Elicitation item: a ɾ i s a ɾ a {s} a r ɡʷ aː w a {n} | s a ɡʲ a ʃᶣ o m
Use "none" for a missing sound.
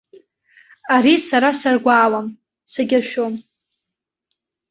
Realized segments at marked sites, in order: s, m

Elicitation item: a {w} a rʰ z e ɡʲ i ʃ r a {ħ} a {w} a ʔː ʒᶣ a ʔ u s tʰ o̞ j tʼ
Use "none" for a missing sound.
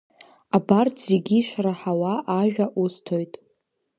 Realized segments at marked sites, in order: b, ħ, w

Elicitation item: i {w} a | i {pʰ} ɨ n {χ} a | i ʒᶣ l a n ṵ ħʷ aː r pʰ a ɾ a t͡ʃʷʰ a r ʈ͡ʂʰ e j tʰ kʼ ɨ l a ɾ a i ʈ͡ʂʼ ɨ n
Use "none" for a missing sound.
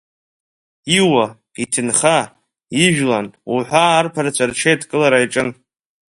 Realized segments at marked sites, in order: w, tʰ, χ

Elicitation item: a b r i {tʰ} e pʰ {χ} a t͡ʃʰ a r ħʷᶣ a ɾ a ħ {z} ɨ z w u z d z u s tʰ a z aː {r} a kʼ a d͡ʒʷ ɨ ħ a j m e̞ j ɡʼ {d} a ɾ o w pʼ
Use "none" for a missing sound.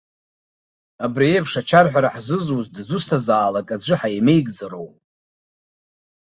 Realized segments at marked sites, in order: none, ʂ, z, l, d͡z

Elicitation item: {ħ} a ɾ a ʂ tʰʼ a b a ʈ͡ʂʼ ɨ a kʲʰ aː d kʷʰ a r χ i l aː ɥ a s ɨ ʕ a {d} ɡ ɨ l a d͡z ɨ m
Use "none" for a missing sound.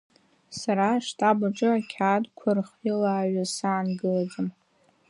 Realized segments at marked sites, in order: s, n

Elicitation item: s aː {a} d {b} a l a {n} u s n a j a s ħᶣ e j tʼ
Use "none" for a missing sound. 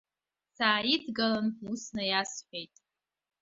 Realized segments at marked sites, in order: i, ɡ, n

